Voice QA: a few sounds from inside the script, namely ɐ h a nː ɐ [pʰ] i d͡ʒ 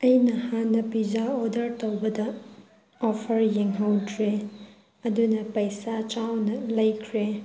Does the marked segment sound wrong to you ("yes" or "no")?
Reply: yes